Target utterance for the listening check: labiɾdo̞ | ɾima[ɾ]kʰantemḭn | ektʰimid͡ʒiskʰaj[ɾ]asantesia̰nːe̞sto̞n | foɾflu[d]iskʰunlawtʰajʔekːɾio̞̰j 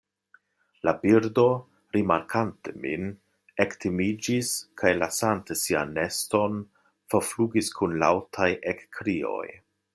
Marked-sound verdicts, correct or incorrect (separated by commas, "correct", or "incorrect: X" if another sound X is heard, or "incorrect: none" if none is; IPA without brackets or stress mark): correct, incorrect: l, incorrect: ɡ